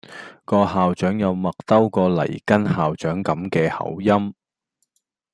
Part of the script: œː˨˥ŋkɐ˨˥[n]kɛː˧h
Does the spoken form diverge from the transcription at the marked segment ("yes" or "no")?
yes